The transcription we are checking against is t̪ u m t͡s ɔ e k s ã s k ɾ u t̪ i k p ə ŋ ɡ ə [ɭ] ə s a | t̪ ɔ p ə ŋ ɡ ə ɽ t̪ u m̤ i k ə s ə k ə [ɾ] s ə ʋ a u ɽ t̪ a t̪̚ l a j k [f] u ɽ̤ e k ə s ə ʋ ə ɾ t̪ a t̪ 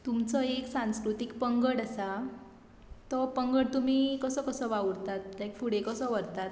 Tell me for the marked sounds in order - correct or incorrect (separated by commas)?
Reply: incorrect, incorrect, correct